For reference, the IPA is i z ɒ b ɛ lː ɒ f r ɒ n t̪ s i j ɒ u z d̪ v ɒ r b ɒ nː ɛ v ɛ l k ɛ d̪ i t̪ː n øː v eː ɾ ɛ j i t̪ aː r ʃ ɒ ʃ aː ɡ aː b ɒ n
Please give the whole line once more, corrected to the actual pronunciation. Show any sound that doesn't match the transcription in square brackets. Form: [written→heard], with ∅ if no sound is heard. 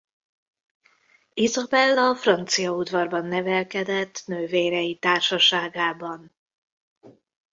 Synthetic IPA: i z ɒ b ɛ lː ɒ f r ɒ n t̪ s i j ɒ u [z→∅] d̪ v ɒ r b ɒ nː ɛ v ɛ l k ɛ d̪ [i→ɛ] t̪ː n øː v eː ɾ ɛ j i t̪ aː r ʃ ɒ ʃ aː ɡ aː b ɒ n